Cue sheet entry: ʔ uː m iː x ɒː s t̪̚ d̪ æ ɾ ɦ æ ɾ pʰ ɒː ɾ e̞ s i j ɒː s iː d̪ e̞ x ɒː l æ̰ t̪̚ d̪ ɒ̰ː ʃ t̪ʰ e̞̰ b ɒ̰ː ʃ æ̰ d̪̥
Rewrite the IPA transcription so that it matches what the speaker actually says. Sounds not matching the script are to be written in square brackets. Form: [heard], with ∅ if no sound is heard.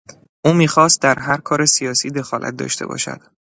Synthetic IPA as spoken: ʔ uː m iː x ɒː s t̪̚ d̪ æ ɾ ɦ æ ɾ [kʰ] ɒː ɾ e̞ s i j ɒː s iː d̪ e̞ x ɒː l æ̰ t̪̚ d̪ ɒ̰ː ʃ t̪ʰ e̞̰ b ɒ̰ː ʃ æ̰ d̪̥